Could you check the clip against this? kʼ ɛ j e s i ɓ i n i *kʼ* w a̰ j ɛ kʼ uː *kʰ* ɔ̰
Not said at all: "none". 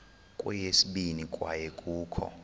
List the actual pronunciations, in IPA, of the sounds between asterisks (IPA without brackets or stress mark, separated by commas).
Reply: kʼ, kʰ